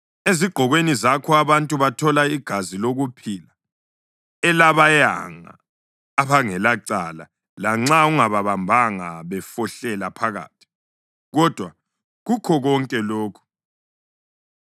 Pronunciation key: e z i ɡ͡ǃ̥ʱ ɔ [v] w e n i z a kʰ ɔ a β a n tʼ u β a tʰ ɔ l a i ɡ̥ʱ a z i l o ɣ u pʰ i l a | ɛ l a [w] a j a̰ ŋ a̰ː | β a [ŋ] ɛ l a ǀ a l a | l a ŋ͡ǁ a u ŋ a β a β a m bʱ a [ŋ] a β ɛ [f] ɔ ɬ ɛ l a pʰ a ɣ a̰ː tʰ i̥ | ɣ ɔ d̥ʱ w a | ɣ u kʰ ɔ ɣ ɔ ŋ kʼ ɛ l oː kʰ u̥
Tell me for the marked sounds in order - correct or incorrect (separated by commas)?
incorrect, incorrect, correct, correct, correct